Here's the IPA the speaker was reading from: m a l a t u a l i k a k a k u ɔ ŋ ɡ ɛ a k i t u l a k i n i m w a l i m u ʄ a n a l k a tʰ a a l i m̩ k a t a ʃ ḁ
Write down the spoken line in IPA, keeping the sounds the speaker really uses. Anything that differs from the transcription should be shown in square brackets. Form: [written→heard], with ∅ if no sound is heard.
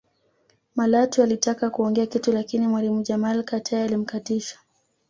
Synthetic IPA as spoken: m a l a t u a l i [k→t] a k a k u ɔ ŋ ɡ ɛ a k i t u l a k i n i m w a l i m u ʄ a [n→m] a l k a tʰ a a l i m̩ k a t [a→i] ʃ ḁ